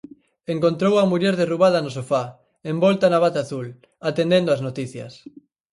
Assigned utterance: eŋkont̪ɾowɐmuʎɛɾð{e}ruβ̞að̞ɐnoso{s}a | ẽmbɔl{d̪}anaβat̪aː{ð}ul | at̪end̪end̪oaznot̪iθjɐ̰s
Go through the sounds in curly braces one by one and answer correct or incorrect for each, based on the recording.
correct, incorrect: f, incorrect: t̪, incorrect: θ

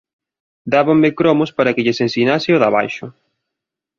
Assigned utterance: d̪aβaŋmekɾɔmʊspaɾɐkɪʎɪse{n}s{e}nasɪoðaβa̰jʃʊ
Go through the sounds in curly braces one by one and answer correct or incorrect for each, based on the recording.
correct, incorrect: i

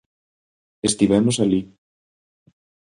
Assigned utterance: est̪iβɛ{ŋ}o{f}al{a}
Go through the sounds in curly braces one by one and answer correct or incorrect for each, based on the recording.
incorrect: m, incorrect: s, incorrect: i

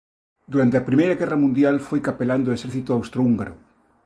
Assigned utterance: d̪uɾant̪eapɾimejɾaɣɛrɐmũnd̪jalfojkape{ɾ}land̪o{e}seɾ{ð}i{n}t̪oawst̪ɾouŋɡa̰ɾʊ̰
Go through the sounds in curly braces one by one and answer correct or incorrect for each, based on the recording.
incorrect: none, correct, incorrect: θ, incorrect: none

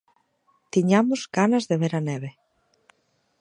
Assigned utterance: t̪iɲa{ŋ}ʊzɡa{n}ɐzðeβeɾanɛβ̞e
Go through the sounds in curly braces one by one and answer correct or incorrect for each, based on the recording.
incorrect: m, correct

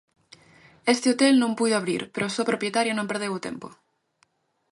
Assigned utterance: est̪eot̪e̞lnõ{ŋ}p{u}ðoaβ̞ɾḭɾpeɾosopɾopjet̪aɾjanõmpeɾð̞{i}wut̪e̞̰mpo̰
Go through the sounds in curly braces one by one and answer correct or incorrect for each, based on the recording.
incorrect: m, correct, incorrect: e

